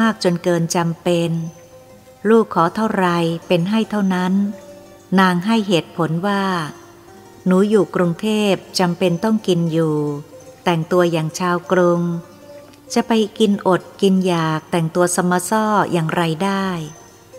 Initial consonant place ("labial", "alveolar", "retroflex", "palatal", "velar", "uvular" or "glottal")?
velar